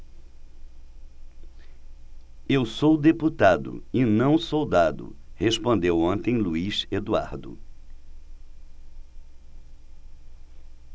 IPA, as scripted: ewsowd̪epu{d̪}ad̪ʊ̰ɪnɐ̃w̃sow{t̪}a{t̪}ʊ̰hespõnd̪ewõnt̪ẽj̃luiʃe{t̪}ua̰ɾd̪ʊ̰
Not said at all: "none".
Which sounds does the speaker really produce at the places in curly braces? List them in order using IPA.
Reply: t̪, d̪, d̪, d̪

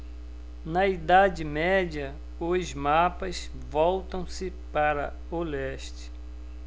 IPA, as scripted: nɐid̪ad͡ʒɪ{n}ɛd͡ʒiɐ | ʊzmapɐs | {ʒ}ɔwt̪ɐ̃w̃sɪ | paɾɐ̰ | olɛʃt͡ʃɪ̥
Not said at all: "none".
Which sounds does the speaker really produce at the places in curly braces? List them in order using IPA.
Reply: m, v

